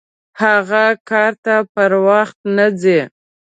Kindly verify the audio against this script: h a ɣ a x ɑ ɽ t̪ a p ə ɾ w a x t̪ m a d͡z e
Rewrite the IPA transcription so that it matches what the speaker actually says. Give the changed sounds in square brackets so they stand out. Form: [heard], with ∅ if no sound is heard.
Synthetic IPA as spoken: h a ɣ a [k] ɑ [ɾ] t̪ a p ə ɾ w a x t̪ [n] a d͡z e

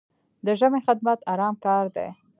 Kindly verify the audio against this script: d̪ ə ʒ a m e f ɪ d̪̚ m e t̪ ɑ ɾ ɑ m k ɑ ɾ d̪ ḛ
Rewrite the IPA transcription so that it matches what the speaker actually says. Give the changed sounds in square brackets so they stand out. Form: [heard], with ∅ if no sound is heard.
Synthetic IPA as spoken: d̪ ə ʒ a m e [x] ɪ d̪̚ m [a] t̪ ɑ ɾ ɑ m k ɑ ɾ d̪ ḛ

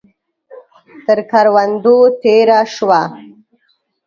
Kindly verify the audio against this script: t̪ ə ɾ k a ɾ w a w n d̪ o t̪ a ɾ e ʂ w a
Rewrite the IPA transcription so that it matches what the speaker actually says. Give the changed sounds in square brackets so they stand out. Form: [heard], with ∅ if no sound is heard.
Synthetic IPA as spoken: t̪ ə ɾ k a ɾ w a [∅] n d̪ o t̪ [e] ɾ [a] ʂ w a

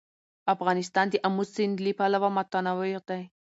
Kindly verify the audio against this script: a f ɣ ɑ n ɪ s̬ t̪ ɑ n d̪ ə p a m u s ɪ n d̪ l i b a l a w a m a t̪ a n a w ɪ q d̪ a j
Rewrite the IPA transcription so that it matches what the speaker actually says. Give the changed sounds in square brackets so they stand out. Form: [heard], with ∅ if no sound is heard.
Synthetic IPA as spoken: a f ɣ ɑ n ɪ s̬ t̪ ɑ n d̪ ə [ʔ] a m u s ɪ n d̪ l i [p] a l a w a m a t̪ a n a w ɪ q d̪ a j

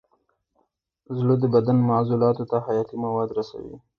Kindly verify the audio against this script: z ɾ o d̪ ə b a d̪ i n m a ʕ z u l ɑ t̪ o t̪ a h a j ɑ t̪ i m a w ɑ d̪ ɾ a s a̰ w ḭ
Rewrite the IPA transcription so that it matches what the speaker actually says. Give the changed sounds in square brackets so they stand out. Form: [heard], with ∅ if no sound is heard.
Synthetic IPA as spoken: z [l] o d̪ ə b a d̪ [a] n m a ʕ z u l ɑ t̪ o t̪ a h a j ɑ t̪ i m a w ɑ d̪ ɾ a s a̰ w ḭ

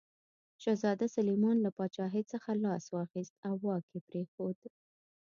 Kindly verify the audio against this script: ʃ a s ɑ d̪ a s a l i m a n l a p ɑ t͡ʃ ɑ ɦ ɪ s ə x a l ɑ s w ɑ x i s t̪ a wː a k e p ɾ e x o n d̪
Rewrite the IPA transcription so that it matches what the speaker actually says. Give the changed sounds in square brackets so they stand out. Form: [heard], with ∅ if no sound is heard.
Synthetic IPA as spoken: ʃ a [z] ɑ d̪ a s a l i m [ɑ] n l a p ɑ t͡ʃ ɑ ɦ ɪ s ə x a l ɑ s w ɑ x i s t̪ a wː [ɑ] k e p ɾ e x o [∅] d̪

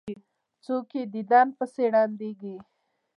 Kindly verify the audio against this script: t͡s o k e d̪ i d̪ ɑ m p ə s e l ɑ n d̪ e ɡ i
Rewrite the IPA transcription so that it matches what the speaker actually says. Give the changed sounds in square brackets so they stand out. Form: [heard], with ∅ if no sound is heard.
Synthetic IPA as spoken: t͡s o k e d̪ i d̪ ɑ [n] p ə s e [ɽ] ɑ n d̪ e ɡ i

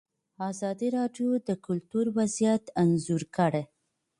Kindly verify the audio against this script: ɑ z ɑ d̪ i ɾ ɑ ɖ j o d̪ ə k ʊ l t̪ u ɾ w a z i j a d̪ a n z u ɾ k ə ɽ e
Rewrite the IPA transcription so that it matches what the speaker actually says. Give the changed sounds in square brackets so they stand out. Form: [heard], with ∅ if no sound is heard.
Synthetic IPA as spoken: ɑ z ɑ d̪ i ɾ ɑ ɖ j o d̪ ə k ʊ l t̪ u ɾ w a z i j a [t̪] a n z u ɾ k ə ɽ e

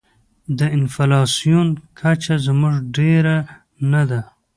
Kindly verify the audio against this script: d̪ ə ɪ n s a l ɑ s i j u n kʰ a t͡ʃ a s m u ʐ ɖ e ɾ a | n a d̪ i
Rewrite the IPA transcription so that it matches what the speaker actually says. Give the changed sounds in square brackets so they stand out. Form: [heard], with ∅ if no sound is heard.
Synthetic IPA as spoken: d̪ ə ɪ n [f] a l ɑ s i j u n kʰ a t͡ʃ a [z] m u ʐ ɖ e ɾ a | n a d̪ [a]

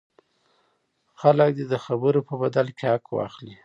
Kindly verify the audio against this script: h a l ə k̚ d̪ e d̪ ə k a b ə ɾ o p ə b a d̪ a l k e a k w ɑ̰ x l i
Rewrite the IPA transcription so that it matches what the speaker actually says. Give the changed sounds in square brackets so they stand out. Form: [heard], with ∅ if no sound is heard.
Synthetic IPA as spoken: [x] a l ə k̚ d̪ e d̪ ə [x] a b ə ɾ o p ə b a d̪ a l k e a k w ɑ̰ x l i

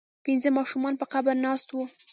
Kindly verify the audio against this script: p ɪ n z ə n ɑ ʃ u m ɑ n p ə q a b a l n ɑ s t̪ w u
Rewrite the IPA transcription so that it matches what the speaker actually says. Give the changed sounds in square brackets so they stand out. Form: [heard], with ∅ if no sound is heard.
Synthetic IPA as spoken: p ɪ n z ə [m] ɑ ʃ u m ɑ n p ə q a b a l n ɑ s t̪ w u

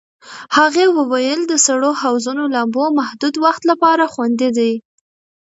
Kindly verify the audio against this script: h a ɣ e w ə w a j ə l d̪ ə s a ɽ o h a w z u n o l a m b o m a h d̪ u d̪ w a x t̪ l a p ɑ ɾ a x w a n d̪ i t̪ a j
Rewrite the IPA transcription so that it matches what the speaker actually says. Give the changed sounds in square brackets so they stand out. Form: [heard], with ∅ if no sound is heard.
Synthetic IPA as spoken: h a ɣ e w ə w a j ə l d̪ ə s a ɽ o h a w z u n o l a m b o m a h d̪ u d̪ w a x t̪ l a p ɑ ɾ a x w a n d̪ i [d̪] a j

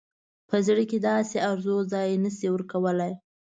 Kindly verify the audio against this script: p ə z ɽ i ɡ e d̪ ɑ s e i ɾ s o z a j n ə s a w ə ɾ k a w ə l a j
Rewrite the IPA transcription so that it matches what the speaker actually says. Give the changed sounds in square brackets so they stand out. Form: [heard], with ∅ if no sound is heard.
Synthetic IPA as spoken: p ə z ɽ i [k] e d̪ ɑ s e [a] ɾ [z] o z [ɑ] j n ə s [i] w ə ɾ k a w ə l a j

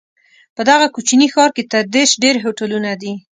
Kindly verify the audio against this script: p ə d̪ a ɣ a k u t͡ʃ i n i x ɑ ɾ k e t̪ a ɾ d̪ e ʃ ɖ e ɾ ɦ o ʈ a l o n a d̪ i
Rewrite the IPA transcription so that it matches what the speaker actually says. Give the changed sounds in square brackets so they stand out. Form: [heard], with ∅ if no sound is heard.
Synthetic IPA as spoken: p ə d̪ a ɣ a k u t͡ʃ i n i x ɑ ɾ k e t̪ a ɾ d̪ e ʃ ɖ e ɾ ɦ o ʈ a l [u] n a d̪ i

